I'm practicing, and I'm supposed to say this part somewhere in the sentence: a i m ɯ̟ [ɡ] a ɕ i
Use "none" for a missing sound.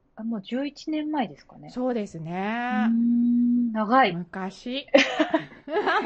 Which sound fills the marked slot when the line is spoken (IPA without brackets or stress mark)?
k